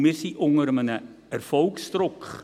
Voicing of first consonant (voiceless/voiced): voiced